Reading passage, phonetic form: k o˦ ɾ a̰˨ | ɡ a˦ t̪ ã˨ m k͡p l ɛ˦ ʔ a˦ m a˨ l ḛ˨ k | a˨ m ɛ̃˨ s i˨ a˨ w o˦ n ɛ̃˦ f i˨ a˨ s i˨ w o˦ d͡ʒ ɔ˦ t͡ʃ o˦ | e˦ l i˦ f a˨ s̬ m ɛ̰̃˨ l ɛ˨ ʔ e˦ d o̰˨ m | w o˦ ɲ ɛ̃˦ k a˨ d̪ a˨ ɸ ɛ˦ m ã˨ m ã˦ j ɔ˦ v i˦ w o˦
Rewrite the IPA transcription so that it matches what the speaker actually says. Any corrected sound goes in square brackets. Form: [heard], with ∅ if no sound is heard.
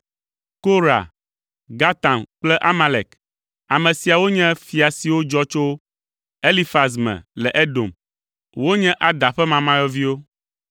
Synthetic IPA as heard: k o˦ ɾ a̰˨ | ɡ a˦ t̪ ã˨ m k͡p l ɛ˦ ʔ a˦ m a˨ l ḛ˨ k | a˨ m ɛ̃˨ s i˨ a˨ w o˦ [ɲ] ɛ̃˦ f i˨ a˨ s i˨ w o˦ d͡ʒ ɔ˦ t͡ʃ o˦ | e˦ l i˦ f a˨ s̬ m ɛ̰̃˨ l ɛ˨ ʔ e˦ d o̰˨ m | w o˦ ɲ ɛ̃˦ [ʔ] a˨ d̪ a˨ ɸ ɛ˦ m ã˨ m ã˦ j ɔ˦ v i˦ w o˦